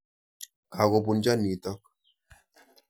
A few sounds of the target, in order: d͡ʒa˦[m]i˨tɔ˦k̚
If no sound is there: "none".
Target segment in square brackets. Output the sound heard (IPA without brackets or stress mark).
n